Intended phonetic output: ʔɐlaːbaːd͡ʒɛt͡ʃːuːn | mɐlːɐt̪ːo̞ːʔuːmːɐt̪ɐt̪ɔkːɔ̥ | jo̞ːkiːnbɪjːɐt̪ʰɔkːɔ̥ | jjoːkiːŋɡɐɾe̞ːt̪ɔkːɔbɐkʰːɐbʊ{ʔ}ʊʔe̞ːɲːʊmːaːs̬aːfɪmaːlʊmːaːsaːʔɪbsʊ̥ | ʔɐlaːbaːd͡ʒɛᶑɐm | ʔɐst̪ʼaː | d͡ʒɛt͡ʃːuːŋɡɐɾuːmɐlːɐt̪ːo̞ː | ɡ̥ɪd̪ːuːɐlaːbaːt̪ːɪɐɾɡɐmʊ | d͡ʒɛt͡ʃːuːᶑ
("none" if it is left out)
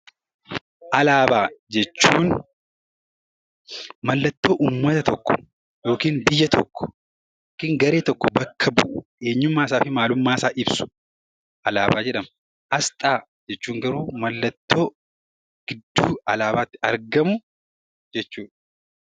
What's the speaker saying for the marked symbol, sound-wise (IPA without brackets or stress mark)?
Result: ʔ